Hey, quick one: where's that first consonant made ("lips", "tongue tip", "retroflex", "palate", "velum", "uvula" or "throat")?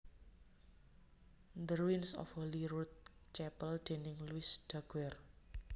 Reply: tongue tip